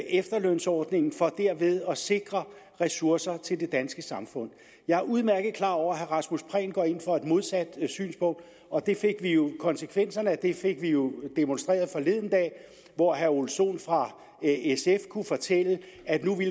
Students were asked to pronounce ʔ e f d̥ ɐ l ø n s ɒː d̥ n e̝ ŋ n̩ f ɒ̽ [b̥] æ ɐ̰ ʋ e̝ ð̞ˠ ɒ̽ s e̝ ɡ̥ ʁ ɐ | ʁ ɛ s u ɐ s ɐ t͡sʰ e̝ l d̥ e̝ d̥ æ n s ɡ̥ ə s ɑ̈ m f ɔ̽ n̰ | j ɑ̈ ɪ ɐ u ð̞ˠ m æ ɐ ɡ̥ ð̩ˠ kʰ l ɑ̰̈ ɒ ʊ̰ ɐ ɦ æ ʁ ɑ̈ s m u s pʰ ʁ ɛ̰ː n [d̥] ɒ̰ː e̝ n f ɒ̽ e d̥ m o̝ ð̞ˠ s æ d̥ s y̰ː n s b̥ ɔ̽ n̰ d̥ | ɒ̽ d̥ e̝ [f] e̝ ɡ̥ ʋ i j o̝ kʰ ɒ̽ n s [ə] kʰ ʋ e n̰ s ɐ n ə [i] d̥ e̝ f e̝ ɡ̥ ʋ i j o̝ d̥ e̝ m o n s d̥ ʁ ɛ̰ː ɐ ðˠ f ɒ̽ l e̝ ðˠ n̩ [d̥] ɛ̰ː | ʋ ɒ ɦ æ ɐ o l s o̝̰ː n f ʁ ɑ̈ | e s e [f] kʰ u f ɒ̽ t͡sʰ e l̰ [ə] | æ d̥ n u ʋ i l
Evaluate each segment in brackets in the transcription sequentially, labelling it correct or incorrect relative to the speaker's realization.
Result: incorrect, incorrect, correct, correct, incorrect, correct, correct, correct

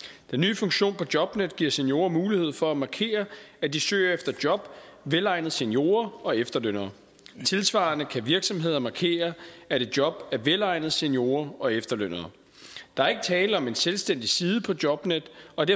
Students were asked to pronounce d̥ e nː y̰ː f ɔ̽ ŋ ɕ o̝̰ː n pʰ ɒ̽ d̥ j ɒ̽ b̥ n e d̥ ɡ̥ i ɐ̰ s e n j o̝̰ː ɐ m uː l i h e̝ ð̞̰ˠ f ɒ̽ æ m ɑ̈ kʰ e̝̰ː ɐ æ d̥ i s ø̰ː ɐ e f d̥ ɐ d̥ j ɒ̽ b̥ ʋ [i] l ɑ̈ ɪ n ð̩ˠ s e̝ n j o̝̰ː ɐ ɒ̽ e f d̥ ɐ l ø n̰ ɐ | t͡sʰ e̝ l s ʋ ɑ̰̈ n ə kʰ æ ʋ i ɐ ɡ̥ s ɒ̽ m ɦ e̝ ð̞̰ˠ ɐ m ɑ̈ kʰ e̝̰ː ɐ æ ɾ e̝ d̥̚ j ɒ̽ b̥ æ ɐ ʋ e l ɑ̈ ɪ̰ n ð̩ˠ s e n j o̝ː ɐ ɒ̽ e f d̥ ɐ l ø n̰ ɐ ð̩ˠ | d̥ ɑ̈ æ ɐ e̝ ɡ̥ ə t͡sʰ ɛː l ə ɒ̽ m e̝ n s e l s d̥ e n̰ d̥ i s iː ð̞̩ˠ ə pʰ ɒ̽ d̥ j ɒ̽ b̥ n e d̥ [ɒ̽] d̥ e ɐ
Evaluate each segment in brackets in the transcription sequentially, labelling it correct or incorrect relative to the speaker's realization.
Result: incorrect, correct

